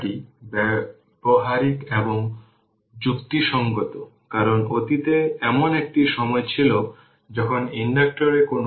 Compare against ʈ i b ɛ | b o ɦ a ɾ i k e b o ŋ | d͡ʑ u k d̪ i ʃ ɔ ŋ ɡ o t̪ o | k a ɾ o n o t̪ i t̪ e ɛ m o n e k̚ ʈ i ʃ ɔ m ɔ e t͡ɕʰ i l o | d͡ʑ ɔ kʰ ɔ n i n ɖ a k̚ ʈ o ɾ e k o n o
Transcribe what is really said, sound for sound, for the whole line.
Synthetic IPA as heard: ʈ i b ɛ | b o ɦ a ɾ i k e b o ŋ | d͡ʑ u k t̪ i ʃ ɔ ŋ ɡ o t̪ o | k a ɾ o n o t̪ i t̪ e ɛ m o n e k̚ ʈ i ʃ ɔ m ɔ e t͡ɕʰ i l o | d͡ʑ ɔ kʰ o n i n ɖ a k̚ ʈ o ɾ e k o n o

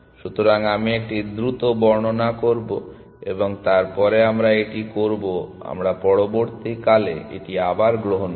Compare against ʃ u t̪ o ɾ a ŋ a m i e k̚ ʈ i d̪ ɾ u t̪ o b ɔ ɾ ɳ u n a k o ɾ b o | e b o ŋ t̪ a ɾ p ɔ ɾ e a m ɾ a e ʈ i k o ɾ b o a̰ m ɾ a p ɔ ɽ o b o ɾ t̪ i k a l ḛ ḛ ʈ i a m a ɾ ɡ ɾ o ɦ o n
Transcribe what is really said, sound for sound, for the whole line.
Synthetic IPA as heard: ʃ u t̪ o ɾ a ŋ a m i e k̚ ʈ i d̪ ɾ u t̪ o b ɔ ɾ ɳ o n a k o ɾ b o | e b o ŋ t̪ a ɾ p ɔ ɾ e a m ɾ a e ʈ i k o ɾ b o a̰ m ɾ a p ɔ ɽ o b o ɾ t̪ i k a l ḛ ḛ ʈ i a b a ɾ ɡ ɾ o ɦ o n

